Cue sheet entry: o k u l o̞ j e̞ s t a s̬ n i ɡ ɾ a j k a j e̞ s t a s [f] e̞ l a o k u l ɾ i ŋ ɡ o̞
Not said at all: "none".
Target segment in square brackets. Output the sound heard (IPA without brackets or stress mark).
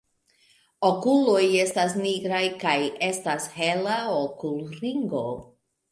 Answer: h